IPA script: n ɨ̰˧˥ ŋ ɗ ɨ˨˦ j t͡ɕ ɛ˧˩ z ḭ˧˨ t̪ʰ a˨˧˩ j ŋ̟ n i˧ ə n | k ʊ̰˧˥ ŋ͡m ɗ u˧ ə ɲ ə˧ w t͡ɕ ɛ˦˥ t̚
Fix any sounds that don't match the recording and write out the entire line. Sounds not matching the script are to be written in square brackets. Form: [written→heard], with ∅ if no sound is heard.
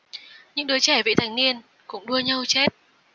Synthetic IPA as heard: [n→ɲ] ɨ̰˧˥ ŋ ɗ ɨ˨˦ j t͡ɕ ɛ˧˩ [z→v] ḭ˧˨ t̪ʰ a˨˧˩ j ŋ̟ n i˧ ə n | k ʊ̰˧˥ ŋ͡m ɗ u˧ ə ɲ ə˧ w t͡ɕ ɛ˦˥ t̚